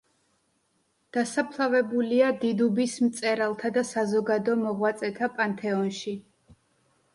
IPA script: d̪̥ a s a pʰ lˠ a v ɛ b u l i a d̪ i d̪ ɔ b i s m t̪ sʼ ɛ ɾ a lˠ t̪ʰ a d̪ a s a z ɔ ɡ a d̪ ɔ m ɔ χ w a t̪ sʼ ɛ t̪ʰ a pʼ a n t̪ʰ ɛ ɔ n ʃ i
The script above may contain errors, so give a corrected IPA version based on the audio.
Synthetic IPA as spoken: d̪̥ a s a pʰ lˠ a v ɛ b u l i a d̪ i d̪ u b i s m t̪ sʼ ɛ ɾ a lˠ t̪ʰ a d̪ a s a z ɔ ɡ a d̪ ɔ m ɔ ʁ w a t̪ sʼ ɛ t̪ʰ a pʼ a n t̪ʰ ɛ ɔ n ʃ i